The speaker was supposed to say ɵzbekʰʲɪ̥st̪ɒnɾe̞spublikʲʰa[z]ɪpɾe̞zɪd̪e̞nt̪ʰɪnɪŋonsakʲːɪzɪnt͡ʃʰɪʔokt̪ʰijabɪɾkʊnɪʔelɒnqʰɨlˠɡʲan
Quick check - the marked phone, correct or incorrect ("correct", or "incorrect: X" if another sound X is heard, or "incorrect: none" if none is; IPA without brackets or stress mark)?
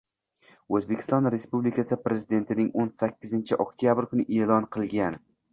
incorrect: s